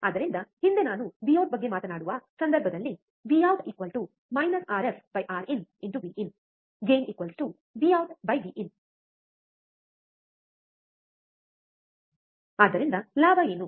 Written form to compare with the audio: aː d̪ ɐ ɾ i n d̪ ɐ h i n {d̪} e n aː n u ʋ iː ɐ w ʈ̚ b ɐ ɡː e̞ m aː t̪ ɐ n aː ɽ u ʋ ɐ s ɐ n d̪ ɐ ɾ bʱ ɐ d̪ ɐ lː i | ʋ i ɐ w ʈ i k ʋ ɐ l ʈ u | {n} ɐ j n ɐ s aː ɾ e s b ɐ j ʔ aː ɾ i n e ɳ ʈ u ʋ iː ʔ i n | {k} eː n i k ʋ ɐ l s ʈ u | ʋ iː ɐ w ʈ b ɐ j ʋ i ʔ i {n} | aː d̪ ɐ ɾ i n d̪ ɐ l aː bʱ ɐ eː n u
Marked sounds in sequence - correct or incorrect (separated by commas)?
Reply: correct, incorrect, incorrect, correct